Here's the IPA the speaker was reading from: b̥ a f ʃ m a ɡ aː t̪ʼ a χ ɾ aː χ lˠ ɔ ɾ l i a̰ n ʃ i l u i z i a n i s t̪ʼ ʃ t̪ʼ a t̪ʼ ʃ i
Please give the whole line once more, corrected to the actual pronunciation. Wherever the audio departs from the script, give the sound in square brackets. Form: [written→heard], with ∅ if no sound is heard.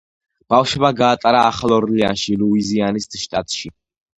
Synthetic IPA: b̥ a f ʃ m a ɡ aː t̪ʼ a [χ→∅] ɾ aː χ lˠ ɔ ɾ l i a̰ n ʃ i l u i z i a n i s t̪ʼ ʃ t̪ʼ a t̪ʼ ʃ i